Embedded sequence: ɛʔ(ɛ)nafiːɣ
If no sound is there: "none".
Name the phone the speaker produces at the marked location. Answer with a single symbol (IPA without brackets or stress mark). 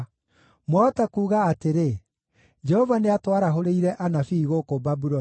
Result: a